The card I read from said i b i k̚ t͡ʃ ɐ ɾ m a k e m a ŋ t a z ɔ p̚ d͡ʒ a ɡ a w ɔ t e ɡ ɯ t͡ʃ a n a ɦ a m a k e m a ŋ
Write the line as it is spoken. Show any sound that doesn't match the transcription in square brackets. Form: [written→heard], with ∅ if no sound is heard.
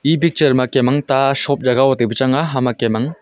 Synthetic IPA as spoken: i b i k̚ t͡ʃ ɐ ɾ m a k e m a ŋ t a [z→s] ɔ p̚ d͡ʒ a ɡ a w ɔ t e [ɡ→b] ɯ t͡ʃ a [n→ŋ] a ɦ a m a k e m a ŋ